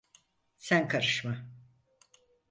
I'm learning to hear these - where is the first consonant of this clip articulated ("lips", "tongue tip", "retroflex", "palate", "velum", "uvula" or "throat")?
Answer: tongue tip